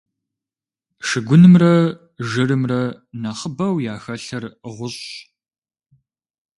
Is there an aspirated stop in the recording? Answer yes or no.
no